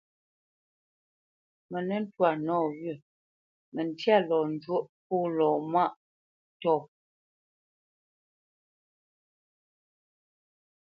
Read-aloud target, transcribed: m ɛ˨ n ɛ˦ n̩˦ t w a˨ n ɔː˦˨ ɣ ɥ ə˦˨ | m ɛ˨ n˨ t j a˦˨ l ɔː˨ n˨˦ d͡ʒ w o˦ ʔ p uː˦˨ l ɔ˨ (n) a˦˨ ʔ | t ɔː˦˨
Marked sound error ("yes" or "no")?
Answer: yes